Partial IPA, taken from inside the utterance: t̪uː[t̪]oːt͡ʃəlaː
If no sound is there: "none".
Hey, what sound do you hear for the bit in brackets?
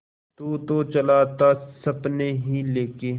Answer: t̪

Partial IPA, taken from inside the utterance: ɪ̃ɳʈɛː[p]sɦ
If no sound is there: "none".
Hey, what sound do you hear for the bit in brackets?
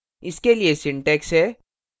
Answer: k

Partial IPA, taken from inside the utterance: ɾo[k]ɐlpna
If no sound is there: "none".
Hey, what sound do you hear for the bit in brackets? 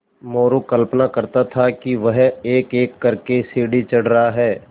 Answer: k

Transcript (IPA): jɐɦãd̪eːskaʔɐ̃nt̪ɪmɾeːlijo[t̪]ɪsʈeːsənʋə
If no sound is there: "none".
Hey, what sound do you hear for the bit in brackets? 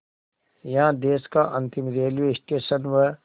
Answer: none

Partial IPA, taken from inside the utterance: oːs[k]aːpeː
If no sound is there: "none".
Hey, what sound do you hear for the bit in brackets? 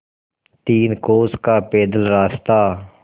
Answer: k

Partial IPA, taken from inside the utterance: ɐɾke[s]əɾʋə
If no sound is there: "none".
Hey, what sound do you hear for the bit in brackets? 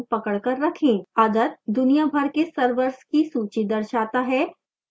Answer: s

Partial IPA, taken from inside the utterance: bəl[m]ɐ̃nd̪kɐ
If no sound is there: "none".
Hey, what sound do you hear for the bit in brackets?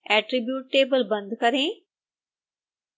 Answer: b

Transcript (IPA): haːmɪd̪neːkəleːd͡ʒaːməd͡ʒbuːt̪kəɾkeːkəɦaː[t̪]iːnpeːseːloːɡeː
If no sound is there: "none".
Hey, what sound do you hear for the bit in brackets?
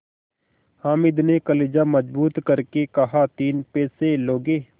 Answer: t̪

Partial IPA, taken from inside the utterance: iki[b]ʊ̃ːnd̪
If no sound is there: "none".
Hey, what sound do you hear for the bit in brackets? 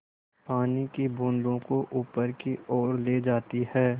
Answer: b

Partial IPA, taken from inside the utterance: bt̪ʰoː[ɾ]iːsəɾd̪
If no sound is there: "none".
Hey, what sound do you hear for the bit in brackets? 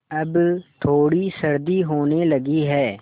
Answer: ɽ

